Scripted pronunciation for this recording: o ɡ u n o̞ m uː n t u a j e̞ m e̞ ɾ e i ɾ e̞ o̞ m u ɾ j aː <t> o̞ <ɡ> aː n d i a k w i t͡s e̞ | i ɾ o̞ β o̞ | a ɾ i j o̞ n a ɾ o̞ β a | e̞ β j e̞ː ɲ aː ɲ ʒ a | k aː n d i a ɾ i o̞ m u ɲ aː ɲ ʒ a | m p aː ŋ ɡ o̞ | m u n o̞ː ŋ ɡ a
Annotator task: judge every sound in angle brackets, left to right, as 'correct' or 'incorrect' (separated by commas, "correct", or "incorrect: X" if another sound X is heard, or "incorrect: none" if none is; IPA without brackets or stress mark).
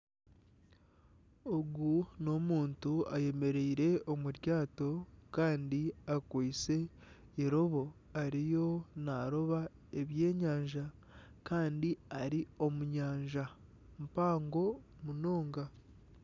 correct, incorrect: k